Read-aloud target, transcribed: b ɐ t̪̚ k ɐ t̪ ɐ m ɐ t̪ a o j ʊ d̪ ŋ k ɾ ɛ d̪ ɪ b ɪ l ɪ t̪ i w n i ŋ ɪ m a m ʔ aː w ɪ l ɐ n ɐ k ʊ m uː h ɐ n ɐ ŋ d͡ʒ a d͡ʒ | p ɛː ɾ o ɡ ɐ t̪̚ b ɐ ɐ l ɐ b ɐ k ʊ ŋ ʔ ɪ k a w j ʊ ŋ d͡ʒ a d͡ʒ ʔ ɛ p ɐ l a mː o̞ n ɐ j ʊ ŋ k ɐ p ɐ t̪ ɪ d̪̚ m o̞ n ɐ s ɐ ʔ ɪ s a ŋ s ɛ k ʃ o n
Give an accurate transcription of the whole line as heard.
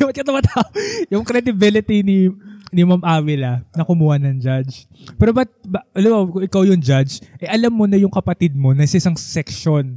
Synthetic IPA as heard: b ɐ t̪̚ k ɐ t̪ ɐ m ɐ t̪ a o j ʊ ŋ k ɾ ɛ d̪ ɪ b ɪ l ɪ t̪ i n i n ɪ m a m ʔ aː w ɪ l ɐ n ɐ k ʊ m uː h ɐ n ɐ ŋ d͡ʒ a d͡ʒ | p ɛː ɾ o b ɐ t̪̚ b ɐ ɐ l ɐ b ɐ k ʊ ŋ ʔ ɪ k a w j ʊ ŋ d͡ʒ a d͡ʒ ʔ ɛ ʔ ɐ l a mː o̞ n ɐ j ʊ ŋ k ɐ p ɐ t̪ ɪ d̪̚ m o̞ n ɐ s ɐ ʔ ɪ s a ŋ s ɛ k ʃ o n